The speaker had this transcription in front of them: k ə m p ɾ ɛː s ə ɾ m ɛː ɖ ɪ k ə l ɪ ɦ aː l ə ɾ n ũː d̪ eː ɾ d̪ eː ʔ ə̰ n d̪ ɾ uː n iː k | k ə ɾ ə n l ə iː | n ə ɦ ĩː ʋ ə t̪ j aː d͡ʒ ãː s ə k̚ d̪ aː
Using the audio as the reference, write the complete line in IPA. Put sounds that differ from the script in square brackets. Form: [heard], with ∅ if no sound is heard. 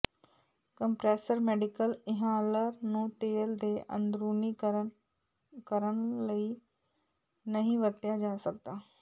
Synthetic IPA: k ə m p ɾ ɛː s ə ɾ m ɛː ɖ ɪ k ə l ɪ ɦ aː l ə ɾ n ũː [t̪] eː [l] d̪ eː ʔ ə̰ n d̪ ɾ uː n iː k | k ə ɾ ə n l ə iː | n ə ɦ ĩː ʋ ə t̪ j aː d͡ʒ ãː s ə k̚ d̪ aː